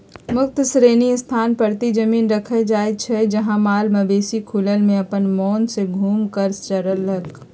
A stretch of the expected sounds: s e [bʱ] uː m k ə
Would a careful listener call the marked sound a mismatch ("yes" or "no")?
yes